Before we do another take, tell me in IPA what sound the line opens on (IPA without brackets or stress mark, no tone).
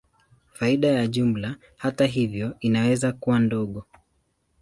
f